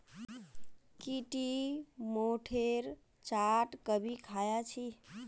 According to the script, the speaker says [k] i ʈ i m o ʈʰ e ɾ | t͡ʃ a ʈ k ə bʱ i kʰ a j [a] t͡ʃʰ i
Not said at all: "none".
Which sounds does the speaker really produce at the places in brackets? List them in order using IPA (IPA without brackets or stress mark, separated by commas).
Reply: k, a